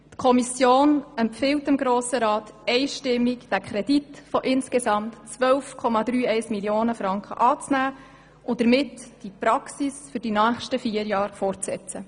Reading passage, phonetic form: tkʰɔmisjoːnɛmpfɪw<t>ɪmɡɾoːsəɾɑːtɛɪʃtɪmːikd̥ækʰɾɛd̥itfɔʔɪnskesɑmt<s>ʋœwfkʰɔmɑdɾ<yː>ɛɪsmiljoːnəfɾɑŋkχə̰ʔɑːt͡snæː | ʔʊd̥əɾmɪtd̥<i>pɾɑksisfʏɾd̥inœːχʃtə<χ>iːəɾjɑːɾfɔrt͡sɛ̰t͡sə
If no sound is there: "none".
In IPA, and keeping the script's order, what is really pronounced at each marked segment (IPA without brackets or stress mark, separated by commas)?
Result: t, t͡s, yː, i, f